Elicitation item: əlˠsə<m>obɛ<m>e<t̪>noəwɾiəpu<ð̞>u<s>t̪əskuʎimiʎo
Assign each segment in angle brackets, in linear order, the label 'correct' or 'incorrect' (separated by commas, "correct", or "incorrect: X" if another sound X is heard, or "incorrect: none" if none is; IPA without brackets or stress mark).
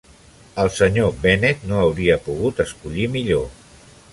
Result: incorrect: ɲ, incorrect: n, correct, incorrect: ɣ̞, incorrect: none